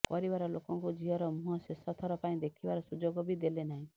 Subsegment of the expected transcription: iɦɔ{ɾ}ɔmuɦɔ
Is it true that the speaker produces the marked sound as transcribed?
yes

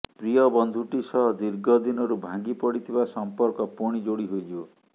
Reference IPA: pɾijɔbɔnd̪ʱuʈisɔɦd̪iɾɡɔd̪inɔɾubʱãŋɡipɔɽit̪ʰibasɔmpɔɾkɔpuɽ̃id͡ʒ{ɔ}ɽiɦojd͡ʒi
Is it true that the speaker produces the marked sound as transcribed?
no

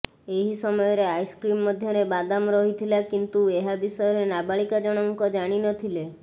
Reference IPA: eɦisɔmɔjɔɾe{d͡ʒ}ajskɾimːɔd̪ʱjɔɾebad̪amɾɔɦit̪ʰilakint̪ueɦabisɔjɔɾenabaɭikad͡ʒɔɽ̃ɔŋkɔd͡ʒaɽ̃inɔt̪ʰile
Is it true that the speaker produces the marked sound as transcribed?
no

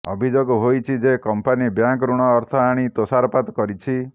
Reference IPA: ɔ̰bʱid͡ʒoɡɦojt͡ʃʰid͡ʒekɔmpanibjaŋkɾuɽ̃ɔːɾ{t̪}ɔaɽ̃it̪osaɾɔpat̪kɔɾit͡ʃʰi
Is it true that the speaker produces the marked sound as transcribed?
no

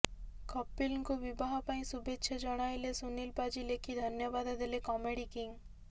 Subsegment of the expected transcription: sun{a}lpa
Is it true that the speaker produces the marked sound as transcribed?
no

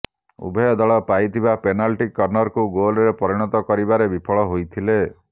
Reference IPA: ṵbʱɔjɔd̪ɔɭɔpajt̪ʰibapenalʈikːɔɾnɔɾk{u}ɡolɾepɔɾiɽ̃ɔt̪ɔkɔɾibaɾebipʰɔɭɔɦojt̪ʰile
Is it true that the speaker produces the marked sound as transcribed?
yes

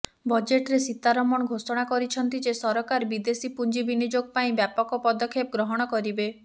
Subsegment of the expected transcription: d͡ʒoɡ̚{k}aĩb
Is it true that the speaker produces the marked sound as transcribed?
no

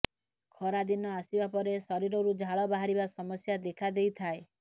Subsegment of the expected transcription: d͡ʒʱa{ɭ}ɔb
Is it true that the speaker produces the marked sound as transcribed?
yes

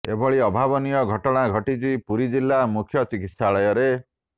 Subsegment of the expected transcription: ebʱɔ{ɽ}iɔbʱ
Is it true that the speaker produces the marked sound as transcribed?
no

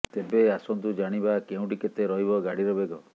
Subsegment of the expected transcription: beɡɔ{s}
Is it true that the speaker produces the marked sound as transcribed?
no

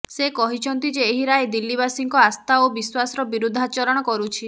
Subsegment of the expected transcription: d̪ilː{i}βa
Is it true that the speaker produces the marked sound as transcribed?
yes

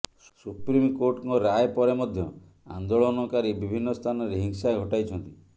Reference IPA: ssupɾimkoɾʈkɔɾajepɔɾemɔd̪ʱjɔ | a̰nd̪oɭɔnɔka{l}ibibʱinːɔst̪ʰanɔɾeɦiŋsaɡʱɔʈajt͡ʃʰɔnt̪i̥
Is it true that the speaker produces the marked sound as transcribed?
no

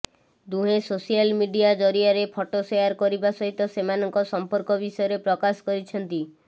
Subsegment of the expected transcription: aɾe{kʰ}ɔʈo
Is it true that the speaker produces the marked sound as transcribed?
no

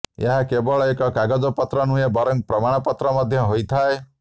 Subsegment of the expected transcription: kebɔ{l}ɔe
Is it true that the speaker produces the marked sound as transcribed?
no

